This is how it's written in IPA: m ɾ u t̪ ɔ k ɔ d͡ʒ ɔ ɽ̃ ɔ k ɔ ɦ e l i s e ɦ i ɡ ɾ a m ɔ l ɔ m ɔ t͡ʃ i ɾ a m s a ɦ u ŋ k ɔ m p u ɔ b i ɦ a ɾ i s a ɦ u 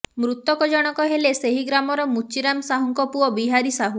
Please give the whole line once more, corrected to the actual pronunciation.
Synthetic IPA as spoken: m ɾ u t̪ ɔ k ɔ d͡ʒ ɔ ɽ̃ ɔ k ɔ ɦ e l e s e ɦ i ɡ ɾ a m ɔ ɾ ɔ m u t͡ʃ i ɾ a m s a ɦ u ŋ k ɔ p u ɔ b i ɦ a ɾ i s a ɦ u